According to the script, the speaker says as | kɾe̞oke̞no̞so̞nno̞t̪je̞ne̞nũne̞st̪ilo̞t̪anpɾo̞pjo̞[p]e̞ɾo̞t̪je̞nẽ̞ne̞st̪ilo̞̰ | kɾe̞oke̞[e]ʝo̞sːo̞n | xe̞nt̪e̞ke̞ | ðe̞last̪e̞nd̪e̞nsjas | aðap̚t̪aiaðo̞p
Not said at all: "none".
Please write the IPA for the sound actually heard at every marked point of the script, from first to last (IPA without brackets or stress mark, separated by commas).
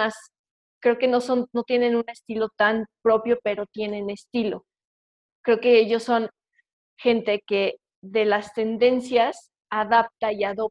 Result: p, e